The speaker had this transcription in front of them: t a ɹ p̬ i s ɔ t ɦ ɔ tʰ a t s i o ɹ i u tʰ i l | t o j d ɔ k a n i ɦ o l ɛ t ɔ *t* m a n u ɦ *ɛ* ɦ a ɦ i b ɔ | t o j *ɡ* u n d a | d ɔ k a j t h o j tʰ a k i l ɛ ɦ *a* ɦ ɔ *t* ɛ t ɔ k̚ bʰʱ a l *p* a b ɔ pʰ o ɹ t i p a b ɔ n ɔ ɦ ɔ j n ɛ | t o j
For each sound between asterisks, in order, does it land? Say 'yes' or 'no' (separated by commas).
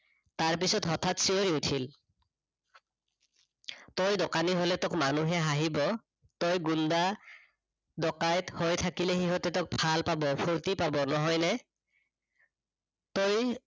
no, yes, yes, no, yes, yes